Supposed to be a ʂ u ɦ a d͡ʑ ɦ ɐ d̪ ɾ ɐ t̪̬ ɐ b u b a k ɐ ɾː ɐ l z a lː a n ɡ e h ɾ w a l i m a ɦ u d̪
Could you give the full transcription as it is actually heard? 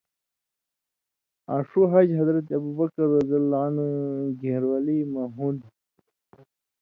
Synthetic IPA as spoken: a ʂ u ɦ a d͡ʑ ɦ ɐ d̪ ɾ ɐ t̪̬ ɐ b u b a k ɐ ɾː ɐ z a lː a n ɡ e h ɾ w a l i m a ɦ u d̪